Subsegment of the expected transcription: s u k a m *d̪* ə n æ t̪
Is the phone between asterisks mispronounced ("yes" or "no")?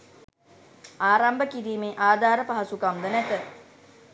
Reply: no